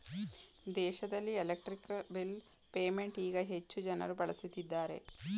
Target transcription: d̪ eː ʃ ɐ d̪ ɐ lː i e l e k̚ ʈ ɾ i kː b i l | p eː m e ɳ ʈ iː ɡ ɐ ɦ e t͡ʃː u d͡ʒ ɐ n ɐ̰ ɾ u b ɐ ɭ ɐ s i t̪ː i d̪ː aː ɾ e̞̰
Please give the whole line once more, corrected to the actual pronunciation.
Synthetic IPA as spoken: d̪ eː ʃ ɐ d̪ ɐ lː i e l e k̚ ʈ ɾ i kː b i l | p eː m e ɳ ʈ iː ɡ ɐ ɦ e t͡ʃː u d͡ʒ ɐ n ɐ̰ ɾ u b ɐ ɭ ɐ s i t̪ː i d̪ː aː ɾ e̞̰